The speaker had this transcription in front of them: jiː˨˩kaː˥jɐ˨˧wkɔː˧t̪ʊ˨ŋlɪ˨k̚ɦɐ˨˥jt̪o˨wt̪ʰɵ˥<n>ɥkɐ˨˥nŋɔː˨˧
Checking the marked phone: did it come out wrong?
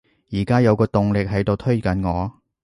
yes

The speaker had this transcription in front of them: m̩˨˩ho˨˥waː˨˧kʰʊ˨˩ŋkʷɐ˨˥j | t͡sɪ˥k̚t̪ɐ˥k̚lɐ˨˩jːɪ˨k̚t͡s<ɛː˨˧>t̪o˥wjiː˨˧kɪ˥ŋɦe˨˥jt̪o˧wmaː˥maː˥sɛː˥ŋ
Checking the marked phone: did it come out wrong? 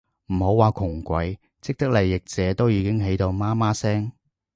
no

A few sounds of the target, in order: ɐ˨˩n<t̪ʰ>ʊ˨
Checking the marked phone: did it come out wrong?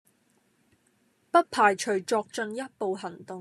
yes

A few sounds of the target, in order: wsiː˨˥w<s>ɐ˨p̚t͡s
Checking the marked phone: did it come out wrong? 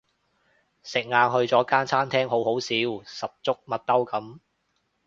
no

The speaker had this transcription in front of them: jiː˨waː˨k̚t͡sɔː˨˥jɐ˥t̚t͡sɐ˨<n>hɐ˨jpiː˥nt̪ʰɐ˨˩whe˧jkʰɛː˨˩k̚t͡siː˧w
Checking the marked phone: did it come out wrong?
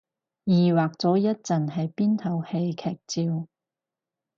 no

